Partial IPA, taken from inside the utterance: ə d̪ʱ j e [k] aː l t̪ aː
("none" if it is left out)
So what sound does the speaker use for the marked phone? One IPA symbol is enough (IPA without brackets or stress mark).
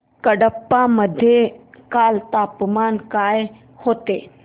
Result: k